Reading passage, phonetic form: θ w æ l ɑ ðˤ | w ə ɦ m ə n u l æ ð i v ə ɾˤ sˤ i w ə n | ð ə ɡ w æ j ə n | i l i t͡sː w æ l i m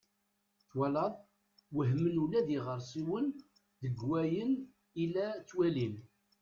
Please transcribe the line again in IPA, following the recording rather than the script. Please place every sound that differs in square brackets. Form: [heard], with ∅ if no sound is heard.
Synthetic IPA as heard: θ w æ l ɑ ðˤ | w ə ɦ m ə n u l æ ð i [ʁ] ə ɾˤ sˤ i w ə n | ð ə ɡ w æ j ə n | i l [æ] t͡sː w æ l i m